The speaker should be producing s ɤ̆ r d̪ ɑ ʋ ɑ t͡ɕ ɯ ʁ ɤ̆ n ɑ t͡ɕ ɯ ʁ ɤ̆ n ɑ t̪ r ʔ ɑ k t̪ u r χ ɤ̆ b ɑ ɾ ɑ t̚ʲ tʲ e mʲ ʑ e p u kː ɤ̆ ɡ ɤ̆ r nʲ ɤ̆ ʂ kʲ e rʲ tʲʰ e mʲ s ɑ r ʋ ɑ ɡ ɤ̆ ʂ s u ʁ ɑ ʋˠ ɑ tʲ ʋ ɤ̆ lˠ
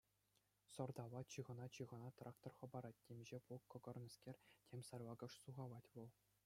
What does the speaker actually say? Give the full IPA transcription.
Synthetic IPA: s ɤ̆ r d̪ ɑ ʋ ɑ t͡ɕ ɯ ʁ ɤ̆ n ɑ t͡ɕ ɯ ʁ ɤ̆ n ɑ t̪ r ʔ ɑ k t̪ o r χ ɤ̆ b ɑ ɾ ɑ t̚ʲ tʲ e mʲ ʑ e p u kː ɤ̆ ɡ ɤ̆ r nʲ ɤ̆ s kʲ e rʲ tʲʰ e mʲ s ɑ r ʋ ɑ ɡ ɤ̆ ʂ s u ʁ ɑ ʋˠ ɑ tʲ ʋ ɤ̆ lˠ